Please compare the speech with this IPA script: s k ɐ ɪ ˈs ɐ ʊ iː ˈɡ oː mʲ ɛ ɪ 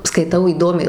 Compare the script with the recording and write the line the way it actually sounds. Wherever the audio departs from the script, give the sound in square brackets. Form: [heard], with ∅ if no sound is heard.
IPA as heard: s k ɐ ɪ [ˈt] ɐ ʊ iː [ˈd] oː mʲ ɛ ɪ